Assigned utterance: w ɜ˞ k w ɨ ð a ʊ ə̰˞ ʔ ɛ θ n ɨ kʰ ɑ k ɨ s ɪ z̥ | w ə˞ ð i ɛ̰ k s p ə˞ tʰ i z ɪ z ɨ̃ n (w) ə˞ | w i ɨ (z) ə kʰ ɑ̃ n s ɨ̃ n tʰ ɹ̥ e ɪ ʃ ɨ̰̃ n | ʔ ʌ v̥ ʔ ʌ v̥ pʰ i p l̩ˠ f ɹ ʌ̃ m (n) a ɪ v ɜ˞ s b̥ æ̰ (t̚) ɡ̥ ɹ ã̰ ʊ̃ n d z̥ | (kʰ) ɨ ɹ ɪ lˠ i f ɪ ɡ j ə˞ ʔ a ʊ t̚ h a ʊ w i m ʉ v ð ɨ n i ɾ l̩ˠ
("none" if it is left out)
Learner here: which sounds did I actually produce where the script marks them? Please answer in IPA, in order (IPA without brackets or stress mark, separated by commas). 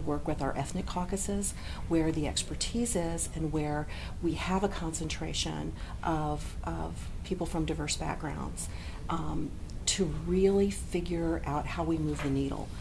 w, v, d, k̚, tʰ